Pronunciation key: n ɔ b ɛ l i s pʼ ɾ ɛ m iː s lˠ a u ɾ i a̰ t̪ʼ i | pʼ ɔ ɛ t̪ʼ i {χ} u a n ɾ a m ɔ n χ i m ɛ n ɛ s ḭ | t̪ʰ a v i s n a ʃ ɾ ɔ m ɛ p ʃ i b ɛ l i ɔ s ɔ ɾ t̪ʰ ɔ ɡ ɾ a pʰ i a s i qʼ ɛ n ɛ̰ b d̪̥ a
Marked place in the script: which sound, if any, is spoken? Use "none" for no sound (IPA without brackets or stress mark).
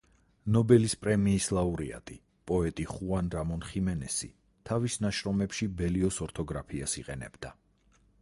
χ